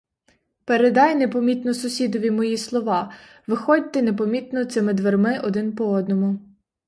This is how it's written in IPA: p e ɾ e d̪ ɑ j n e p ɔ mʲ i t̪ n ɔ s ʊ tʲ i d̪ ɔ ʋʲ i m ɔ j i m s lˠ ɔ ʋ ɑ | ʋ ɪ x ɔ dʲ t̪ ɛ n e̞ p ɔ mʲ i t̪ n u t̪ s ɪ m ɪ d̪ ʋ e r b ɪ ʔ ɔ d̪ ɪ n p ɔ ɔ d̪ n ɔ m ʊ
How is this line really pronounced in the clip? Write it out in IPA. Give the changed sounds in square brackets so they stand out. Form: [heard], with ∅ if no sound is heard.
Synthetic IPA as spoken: p e ɾ e d̪ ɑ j n e p ɔ mʲ i t̪ n ɔ s ʊ [sʲ] i d̪ ɔ ʋʲ i m ɔ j i [∅] s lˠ ɔ ʋ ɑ | ʋ ɪ x ɔ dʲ t̪ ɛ n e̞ p ɔ mʲ i t̪ n [ɔ] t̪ s ɪ m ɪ d̪ ʋ e r [m] ɪ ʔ ɔ d̪ ɪ n p ɔ ɔ d̪ n ɔ m ʊ